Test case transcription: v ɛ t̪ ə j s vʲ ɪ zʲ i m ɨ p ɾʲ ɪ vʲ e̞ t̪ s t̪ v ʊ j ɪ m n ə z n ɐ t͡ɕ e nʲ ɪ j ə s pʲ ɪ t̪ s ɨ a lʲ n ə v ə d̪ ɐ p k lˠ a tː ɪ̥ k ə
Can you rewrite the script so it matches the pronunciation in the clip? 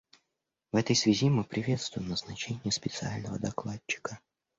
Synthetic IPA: v ɛ t̪ ə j s vʲ ɪ zʲ i m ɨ p ɾʲ ɪ vʲ e̞ t̪ s t̪ v ʊ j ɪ m n ə z n ɐ t͡ɕ e nʲ ɪ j ə s pʲ ɪ t̪ s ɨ a lʲ n ə v ə d̪ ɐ k lˠ a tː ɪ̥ k ə